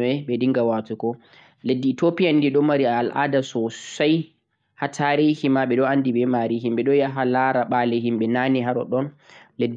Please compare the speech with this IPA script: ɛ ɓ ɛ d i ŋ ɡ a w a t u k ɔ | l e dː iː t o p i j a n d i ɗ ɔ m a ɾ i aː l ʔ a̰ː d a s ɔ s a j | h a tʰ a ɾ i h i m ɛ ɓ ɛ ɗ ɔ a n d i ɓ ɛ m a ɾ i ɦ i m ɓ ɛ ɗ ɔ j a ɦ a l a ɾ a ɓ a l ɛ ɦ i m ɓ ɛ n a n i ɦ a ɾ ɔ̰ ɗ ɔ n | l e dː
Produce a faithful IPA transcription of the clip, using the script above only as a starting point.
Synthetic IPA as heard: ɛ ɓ ɛ d i ŋ ɡ a w a t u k ɔ | l e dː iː t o p i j a n d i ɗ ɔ m a ɾ i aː l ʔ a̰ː d a s ɔ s a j | h a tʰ a ɾ i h i m a ɓ ɛ ɗ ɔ a n d i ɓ ɛ m a ɾ i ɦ i m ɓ ɛ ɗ ɔ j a ɦ a l a ɾ a ɓ a l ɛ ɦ i m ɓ ɛ n a n i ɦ a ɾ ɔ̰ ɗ ɔ n | l e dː